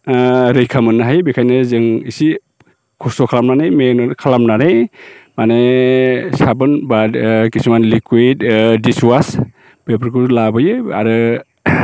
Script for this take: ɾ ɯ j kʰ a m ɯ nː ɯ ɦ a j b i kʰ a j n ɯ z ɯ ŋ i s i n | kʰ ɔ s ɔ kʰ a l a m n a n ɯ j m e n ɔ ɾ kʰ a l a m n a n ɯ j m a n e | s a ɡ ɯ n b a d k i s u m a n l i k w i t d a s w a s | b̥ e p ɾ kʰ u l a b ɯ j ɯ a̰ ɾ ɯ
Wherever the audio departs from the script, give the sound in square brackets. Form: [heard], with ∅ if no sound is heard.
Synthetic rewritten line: ɾ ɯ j kʰ a m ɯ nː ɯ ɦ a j b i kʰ a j n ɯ z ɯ ŋ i s i [∅] | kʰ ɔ s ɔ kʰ a l a m n a n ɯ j m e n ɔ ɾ kʰ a l a m n a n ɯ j m a n e | s a [b] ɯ n b a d k i s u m a n l i k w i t d [i] s w a s | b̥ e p ɾ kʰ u l a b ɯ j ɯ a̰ ɾ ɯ